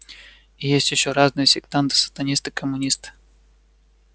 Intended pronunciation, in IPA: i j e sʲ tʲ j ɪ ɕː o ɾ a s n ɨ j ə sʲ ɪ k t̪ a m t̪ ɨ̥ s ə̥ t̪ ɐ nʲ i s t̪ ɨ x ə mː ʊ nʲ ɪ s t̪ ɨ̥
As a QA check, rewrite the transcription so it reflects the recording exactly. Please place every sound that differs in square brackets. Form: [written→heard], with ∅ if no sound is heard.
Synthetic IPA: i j e sʲ tʲ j ɪ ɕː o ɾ a [s→z] n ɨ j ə sʲ ɪ k t̪ a [m→n] t̪ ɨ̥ s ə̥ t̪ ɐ nʲ i s t̪ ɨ [x→k] ə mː ʊ nʲ [ɪ→i] s t̪ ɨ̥